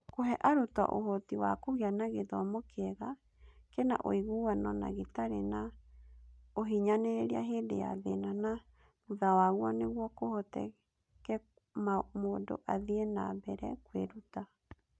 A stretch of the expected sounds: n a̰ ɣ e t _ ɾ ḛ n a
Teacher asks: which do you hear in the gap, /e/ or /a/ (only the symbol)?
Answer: a